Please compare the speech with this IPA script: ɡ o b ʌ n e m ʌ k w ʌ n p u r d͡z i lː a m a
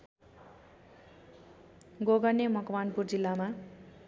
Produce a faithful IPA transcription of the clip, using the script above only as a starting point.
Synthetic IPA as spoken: ɡ o ɡ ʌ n e m ʌ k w a n p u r d͡z i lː a m a